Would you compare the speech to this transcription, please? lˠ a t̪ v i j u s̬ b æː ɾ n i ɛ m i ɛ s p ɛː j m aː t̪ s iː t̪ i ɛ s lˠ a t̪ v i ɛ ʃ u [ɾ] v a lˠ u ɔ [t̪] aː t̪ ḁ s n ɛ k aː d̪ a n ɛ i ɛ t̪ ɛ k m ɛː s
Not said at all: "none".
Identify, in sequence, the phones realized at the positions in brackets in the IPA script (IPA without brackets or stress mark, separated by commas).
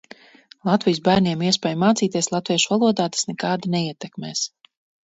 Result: none, d̪